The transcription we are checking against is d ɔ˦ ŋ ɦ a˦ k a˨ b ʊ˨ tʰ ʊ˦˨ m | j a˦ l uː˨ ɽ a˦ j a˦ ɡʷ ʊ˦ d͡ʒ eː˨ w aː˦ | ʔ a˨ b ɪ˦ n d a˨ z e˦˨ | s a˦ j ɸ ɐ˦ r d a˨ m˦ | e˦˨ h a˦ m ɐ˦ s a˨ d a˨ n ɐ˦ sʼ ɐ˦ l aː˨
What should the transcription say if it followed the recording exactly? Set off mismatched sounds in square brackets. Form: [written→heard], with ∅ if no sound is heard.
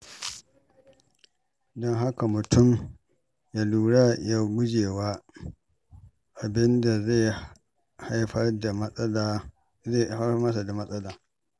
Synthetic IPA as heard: d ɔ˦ ŋ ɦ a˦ k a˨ [b→m] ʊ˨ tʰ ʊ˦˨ m | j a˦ l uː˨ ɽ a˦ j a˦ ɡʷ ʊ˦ d͡ʒ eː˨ w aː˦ | ʔ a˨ b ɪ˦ n d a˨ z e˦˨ | [s→h] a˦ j ɸ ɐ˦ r d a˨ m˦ | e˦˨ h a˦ m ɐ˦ s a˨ d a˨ [n→m] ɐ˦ sʼ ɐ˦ l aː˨